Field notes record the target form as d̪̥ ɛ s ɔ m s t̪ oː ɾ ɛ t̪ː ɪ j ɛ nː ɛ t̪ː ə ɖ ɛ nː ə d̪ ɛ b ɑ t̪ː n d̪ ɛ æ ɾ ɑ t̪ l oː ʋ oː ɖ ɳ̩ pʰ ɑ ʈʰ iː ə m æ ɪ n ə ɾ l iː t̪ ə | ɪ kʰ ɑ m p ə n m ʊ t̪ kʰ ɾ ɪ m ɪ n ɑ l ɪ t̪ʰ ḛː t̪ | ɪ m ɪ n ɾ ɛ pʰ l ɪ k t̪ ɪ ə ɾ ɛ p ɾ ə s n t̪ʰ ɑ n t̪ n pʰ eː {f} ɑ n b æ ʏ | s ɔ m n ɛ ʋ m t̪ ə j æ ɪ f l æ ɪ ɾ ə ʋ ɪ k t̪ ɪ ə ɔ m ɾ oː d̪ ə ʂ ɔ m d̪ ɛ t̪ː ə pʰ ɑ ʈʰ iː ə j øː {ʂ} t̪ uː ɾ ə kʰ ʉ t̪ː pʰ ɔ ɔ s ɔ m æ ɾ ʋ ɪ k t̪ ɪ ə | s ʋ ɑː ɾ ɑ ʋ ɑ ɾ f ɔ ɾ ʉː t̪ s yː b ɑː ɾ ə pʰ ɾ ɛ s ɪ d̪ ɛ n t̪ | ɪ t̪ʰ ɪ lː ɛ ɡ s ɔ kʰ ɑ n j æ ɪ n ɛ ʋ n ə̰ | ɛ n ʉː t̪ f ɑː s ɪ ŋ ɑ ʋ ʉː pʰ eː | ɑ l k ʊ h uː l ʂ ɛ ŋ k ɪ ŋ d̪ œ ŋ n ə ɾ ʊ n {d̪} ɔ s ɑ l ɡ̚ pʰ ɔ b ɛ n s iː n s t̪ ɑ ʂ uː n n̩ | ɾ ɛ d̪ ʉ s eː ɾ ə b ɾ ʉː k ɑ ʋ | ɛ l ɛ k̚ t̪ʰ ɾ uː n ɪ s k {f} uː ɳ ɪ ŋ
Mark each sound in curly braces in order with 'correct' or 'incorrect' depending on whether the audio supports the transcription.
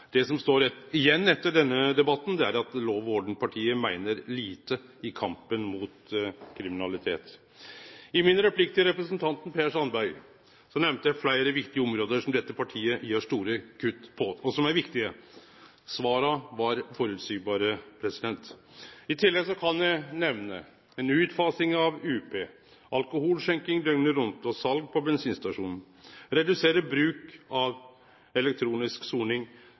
incorrect, correct, incorrect, incorrect

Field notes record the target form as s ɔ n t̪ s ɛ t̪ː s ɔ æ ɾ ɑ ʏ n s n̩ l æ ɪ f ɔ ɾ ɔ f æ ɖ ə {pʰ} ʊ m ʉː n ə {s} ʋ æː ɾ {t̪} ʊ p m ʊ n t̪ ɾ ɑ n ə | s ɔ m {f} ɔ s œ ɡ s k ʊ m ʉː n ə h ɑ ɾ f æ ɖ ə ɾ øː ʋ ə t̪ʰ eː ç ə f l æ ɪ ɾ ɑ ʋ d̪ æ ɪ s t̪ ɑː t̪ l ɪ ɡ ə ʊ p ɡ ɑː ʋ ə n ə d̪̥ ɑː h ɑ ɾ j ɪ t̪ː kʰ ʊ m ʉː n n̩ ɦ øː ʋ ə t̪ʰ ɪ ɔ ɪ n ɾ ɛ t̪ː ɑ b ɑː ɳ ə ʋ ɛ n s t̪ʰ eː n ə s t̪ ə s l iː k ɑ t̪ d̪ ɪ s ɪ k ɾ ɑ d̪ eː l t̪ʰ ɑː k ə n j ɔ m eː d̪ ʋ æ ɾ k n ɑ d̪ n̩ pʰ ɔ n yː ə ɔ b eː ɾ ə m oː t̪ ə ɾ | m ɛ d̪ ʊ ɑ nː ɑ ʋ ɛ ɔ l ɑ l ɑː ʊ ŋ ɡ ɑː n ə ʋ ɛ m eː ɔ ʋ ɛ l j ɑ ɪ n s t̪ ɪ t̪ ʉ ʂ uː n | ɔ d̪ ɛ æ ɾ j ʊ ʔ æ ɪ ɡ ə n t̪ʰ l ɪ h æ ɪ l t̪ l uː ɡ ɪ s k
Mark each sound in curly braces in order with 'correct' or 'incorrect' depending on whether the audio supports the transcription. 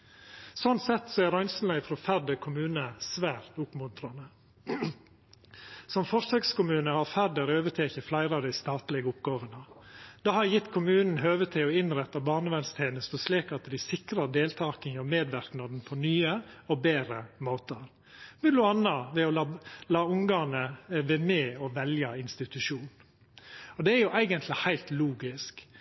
incorrect, correct, correct, correct

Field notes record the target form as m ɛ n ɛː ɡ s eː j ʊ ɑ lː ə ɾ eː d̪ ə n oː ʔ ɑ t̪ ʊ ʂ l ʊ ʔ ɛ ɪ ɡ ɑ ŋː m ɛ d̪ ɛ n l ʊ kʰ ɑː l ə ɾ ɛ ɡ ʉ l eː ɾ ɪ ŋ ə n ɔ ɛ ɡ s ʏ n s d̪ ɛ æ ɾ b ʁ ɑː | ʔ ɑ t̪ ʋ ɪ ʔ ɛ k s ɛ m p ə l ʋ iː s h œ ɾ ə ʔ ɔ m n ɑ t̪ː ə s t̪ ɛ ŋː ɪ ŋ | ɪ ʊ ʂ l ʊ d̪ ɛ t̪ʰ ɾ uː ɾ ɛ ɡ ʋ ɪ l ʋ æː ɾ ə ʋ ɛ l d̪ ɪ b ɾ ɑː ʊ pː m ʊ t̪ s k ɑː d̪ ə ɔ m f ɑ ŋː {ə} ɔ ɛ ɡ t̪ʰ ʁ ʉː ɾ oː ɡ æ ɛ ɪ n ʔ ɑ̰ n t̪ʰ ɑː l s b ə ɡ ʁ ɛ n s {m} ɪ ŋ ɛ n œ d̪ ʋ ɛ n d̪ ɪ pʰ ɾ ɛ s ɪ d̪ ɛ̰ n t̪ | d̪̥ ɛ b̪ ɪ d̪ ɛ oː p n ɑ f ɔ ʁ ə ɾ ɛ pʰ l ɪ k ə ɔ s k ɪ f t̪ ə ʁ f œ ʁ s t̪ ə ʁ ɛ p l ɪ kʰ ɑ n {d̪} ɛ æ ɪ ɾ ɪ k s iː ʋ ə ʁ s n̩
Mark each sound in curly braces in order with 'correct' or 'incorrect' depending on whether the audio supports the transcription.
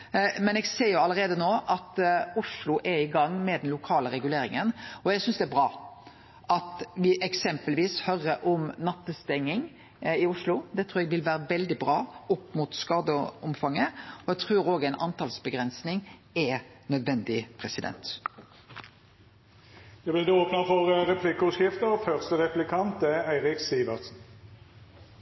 correct, incorrect, incorrect

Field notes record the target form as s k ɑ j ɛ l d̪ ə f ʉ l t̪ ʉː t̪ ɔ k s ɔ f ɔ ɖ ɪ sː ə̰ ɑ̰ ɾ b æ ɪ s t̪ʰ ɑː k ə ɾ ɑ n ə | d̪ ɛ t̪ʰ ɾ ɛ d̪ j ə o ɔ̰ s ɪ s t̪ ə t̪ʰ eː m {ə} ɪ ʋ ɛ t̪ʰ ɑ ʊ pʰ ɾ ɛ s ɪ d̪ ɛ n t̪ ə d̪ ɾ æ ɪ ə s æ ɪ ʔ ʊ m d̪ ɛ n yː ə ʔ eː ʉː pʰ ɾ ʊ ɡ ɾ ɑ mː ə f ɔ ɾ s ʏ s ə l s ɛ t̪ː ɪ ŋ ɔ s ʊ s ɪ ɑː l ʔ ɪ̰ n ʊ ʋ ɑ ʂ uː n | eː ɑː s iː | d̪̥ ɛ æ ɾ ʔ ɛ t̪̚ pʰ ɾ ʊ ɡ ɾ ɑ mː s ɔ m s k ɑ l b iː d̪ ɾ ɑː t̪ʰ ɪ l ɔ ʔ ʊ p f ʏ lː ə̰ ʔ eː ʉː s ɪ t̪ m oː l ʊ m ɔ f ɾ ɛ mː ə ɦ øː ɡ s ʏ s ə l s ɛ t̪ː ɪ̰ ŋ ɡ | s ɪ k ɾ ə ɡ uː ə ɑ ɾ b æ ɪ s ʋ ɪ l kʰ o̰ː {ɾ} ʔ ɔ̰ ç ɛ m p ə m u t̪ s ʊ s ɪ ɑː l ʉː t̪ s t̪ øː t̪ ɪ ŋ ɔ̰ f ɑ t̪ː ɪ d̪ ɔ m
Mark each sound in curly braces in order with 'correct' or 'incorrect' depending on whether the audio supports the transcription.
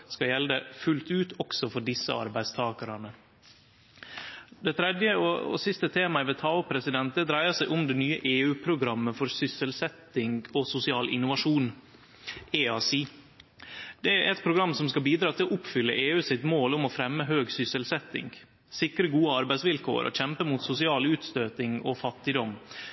incorrect, correct

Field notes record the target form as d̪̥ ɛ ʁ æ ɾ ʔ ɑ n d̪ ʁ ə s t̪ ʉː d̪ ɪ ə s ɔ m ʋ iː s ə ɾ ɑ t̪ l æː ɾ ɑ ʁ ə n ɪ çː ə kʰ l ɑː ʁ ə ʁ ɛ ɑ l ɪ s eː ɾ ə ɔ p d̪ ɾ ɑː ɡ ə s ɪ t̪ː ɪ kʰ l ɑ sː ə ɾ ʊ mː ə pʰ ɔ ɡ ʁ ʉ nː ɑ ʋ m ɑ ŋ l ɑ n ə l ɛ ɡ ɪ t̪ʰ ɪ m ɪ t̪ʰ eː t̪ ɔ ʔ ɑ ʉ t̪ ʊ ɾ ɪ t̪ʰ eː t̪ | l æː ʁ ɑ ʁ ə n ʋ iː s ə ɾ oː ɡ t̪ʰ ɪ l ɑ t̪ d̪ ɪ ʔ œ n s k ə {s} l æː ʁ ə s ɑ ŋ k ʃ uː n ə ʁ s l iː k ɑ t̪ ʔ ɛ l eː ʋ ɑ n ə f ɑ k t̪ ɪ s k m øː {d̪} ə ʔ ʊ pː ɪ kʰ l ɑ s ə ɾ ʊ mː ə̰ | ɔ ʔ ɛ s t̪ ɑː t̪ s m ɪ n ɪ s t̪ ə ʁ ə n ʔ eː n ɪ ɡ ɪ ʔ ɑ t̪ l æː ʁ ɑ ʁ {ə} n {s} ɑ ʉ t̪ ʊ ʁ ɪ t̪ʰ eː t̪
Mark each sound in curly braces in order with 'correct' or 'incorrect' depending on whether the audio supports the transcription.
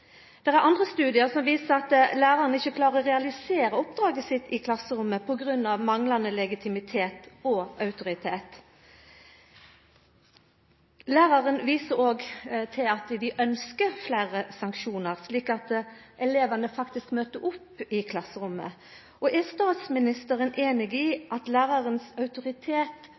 incorrect, incorrect, correct, correct

